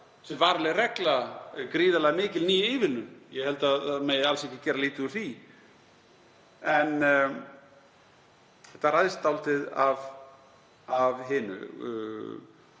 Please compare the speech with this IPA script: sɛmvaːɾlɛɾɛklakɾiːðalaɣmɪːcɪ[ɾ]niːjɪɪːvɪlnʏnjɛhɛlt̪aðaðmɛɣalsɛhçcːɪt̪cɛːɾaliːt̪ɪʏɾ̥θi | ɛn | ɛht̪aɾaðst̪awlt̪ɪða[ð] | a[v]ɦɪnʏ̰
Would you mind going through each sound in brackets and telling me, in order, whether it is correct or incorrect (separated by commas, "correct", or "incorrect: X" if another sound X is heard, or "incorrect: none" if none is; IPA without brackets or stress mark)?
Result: incorrect: l, incorrect: v, correct